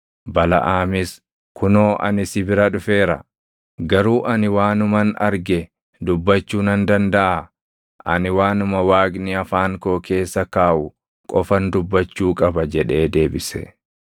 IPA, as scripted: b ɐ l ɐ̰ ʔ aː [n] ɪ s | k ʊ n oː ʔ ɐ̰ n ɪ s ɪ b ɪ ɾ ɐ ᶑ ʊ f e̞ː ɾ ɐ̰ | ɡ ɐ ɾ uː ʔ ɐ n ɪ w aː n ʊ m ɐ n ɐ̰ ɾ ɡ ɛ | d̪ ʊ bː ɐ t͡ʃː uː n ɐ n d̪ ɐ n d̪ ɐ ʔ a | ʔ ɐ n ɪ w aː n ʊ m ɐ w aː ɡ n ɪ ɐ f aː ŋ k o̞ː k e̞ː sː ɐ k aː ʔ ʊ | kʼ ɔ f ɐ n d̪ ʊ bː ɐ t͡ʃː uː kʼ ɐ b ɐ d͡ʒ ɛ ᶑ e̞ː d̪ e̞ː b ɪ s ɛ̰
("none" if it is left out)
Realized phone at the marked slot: m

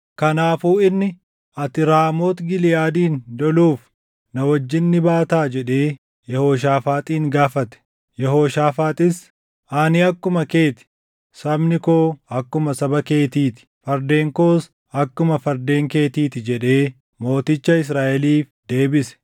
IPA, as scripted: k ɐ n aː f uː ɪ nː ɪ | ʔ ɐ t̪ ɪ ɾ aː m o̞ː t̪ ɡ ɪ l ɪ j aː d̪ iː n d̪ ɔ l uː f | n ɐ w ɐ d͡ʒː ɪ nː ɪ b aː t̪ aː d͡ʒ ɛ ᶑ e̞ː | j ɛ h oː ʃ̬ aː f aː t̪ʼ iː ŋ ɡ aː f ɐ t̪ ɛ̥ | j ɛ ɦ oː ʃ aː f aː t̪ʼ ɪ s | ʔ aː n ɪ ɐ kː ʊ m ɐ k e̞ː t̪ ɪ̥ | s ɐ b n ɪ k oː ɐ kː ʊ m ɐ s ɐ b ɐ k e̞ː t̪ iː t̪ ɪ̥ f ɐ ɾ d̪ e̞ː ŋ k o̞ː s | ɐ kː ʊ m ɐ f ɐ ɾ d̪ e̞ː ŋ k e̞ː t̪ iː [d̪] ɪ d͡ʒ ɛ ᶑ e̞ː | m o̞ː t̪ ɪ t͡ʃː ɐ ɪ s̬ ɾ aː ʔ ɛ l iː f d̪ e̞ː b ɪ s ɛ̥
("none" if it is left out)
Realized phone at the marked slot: t̪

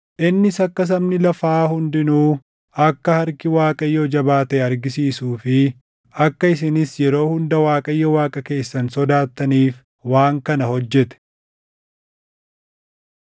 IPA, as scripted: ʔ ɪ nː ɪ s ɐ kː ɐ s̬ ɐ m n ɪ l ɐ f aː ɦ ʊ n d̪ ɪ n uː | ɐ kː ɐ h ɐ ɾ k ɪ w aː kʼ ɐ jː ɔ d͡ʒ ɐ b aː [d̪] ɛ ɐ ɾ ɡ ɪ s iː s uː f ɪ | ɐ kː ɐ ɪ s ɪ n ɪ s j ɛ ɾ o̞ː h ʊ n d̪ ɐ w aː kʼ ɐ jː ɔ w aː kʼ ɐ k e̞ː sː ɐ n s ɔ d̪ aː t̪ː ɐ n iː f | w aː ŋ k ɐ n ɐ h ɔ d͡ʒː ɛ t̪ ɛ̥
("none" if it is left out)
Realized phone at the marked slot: t̪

